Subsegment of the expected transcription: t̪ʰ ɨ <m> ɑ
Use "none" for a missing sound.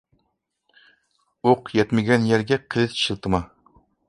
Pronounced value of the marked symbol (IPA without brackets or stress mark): m